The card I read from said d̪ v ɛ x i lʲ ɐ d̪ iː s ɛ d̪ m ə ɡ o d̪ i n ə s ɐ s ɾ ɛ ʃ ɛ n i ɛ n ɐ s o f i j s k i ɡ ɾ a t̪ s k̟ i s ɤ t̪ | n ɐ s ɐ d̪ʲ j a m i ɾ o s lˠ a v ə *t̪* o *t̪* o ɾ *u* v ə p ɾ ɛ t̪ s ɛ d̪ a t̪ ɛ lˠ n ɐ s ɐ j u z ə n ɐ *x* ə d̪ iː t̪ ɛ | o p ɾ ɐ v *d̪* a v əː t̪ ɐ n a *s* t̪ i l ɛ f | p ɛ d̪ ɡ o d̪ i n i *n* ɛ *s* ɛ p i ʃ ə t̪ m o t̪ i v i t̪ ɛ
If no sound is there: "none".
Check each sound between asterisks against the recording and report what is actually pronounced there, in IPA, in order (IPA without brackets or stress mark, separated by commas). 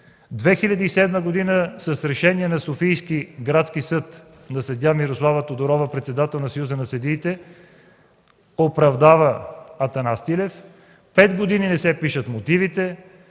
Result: t̪, d̪, ɔ, s, d̪, s, n, s